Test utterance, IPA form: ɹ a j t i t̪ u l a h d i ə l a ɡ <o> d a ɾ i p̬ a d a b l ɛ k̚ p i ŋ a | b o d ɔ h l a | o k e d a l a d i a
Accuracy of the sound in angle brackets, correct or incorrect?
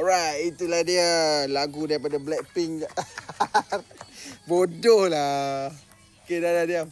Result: incorrect